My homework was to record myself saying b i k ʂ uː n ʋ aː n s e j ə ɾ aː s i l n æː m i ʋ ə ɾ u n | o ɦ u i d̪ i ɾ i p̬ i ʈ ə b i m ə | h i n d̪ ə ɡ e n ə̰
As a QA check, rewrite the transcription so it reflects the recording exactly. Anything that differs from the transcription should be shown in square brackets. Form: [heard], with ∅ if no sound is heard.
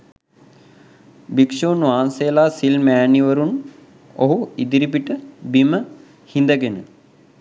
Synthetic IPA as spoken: b i k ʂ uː n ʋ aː n s e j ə [l] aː s i l [m] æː [n] i ʋ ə ɾ u n | o ɦ u i d̪ i ɾ i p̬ i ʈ ə b i m ə | h i n d̪ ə ɡ e n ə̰